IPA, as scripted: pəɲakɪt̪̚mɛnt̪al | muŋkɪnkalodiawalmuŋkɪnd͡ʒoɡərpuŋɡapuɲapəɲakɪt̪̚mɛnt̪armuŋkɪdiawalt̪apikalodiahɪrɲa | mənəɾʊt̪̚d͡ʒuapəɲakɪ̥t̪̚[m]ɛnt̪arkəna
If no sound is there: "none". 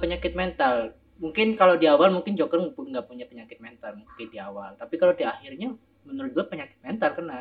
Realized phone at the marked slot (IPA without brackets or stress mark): m